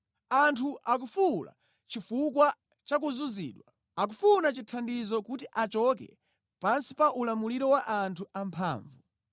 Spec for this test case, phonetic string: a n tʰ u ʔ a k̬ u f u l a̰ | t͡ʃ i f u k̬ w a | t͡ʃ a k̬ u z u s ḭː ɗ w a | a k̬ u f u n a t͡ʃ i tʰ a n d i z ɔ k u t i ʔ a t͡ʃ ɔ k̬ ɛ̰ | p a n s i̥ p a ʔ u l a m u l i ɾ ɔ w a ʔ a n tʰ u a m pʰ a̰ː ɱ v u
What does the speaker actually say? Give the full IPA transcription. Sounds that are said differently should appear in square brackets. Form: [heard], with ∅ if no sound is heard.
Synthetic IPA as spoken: a n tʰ u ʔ a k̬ u f u l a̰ | t͡ʃ i f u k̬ w a | t͡ʃ a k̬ u z u [z] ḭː ɗ w a | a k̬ u f u n a t͡ʃ i tʰ a n d i z ɔ k u t i ʔ a t͡ʃ ɔ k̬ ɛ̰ | p a n s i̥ p a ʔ u l a m u l i ɾ ɔ w a ʔ a n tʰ u a m pʰ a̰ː ɱ v u